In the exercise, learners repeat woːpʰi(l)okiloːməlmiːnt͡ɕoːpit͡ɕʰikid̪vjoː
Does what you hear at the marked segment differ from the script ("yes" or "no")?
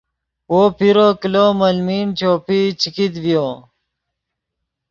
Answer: yes